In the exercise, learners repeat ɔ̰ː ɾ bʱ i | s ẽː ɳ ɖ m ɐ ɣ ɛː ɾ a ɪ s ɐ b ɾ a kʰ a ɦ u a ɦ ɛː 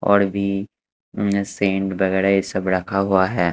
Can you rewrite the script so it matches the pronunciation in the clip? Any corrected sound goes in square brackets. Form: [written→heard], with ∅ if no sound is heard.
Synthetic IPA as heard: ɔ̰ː ɾ bʱ i | s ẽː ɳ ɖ [m→b] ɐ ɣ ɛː ɾ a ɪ s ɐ b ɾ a kʰ a ɦ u a ɦ ɛː

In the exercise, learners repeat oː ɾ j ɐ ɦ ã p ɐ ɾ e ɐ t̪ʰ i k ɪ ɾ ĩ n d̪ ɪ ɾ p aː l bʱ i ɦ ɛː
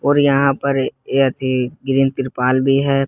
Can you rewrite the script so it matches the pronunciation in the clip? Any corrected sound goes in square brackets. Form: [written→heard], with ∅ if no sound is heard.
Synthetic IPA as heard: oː ɾ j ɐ ɦ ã p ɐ ɾ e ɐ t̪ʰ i [k→ɡ] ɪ ɾ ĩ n [d̪→t̪] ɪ ɾ p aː l bʱ i ɦ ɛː

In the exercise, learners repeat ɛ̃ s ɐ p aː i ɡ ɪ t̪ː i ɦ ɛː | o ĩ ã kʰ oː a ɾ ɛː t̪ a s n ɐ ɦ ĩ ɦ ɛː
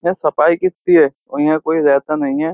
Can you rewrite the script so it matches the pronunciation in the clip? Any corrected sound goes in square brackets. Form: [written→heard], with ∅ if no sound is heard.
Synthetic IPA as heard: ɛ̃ s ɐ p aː i [ɡ→k] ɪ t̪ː i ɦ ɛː | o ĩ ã [kʰ→k] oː [a→i] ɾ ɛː t̪ a [s→∅] n ɐ ɦ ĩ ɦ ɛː

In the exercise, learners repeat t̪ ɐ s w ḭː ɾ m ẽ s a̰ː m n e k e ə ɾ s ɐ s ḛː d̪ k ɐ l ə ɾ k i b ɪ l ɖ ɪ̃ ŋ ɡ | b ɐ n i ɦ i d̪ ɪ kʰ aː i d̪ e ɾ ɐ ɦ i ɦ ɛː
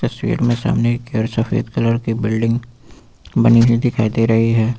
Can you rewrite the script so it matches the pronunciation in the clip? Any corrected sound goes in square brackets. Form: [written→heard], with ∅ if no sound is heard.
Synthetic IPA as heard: t̪ ɐ s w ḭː ɾ m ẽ s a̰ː m n e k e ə ɾ s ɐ [s→f] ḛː d̪ k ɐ l ə ɾ k i b ɪ l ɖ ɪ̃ ŋ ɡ | b ɐ n i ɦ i d̪ ɪ kʰ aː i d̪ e ɾ ɐ ɦ i ɦ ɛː

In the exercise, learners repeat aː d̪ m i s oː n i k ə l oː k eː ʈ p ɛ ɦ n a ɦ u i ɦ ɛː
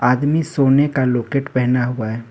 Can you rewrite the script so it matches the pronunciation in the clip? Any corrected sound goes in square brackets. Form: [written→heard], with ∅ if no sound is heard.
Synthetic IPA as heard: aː d̪ m i s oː n [i→e] k [ə→a] l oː k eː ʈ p ɛ ɦ n a ɦ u [i→a] ɦ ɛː

